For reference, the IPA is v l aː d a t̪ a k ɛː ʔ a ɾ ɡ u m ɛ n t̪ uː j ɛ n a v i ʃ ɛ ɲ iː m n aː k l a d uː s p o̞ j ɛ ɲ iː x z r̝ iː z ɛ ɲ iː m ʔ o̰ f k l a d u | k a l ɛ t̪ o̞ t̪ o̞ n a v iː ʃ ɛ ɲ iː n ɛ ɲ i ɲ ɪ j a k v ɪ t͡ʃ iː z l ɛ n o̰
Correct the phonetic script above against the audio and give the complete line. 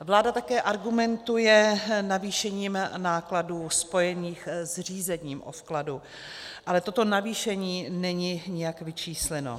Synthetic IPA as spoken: v l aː d a t̪ a k ɛː ʔ a ɾ ɡ u m ɛ n t̪ u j ɛ n a v iː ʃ ɛ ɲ iː m n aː k l a d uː s p o̞ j ɛ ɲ iː x z r̝ iː z ɛ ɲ iː m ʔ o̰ f k l a d u | ʔ a l ɛ t̪ o̞ t̪ o̞ n a v iː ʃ ɛ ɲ iː n ɛ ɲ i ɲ ɪ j a k v ɪ t͡ʃ iː s l ɛ n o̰